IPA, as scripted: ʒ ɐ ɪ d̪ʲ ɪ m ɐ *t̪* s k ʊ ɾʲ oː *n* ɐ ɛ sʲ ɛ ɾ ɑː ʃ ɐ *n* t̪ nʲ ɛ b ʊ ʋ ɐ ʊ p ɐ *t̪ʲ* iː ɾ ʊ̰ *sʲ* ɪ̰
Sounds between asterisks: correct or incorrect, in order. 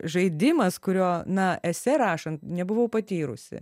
incorrect: none, correct, correct, correct, correct

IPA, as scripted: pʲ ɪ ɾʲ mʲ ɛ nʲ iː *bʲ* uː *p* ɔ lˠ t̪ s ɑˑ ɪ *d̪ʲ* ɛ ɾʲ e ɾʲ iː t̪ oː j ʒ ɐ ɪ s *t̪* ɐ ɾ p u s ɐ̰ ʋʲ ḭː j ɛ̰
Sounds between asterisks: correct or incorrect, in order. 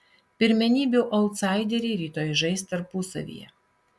correct, incorrect: ʔ, correct, correct

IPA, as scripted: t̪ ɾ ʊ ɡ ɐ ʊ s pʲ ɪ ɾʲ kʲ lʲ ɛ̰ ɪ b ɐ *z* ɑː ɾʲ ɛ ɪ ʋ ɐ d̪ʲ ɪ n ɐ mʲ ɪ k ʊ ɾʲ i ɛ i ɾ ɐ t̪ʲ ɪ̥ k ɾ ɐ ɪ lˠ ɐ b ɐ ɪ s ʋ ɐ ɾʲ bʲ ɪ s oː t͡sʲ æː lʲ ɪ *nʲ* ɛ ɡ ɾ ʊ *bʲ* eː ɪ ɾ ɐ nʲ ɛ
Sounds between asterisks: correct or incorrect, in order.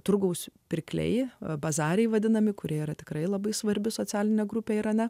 correct, correct, incorrect: pʲ

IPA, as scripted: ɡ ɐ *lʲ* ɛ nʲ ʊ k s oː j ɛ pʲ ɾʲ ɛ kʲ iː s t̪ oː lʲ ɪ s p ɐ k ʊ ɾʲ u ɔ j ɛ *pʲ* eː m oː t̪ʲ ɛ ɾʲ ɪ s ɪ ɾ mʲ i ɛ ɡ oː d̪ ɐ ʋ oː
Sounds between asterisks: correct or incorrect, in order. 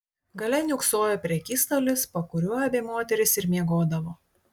correct, incorrect: bʲ

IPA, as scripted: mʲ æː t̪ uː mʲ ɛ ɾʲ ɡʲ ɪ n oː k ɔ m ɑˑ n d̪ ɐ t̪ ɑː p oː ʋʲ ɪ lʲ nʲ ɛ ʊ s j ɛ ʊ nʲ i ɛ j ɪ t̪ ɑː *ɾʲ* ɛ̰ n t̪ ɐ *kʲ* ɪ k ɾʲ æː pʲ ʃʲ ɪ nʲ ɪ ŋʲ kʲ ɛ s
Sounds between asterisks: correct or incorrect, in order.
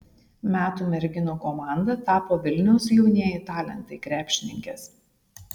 incorrect: lʲ, incorrect: none

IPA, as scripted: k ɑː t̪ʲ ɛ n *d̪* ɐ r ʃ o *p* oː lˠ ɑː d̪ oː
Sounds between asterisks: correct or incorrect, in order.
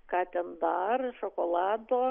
correct, incorrect: k

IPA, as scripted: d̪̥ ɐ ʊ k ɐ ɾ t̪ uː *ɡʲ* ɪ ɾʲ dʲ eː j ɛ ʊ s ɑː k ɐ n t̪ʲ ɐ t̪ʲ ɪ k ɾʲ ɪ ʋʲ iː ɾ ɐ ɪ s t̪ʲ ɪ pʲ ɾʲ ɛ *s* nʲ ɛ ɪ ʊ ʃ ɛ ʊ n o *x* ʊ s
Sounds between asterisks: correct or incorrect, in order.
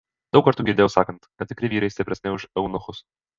correct, correct, correct

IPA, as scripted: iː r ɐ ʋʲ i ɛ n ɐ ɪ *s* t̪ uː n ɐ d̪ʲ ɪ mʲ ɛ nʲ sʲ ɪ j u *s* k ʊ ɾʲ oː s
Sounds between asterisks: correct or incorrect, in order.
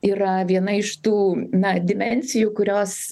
incorrect: ʃ, incorrect: none

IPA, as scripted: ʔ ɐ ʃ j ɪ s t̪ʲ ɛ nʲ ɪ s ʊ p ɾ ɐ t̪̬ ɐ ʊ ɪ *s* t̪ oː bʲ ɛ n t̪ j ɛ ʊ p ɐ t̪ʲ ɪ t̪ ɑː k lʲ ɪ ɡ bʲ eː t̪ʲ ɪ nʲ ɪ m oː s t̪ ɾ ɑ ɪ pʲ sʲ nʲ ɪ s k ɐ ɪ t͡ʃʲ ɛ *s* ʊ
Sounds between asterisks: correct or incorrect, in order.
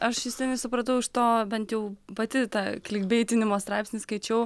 incorrect: ʃ, incorrect: none

